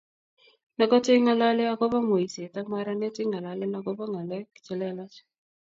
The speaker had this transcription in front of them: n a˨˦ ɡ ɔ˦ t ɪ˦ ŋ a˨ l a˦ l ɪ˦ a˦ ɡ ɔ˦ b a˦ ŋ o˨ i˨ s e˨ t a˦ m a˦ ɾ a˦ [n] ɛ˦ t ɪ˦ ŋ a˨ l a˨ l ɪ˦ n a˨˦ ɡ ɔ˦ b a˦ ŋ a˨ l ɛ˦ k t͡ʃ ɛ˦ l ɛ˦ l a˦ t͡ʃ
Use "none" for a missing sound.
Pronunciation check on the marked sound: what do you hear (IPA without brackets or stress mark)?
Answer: n